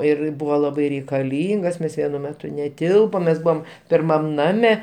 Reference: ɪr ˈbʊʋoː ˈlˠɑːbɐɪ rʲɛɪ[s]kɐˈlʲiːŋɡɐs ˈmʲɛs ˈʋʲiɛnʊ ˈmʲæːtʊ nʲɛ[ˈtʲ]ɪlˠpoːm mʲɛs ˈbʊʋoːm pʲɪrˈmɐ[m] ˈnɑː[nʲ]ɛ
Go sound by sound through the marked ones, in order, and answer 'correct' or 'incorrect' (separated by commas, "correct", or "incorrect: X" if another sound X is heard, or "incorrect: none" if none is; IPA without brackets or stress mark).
incorrect: none, correct, correct, incorrect: mʲ